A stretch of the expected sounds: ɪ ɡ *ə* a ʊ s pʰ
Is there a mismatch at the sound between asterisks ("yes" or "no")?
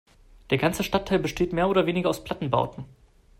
yes